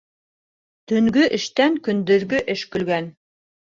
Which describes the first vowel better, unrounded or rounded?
rounded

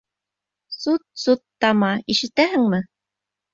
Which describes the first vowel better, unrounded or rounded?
rounded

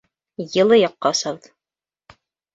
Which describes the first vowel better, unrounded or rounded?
unrounded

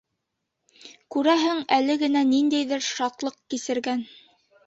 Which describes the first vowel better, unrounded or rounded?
rounded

